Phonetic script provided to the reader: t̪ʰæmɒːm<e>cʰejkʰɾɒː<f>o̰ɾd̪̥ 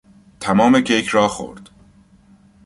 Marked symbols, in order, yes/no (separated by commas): yes, no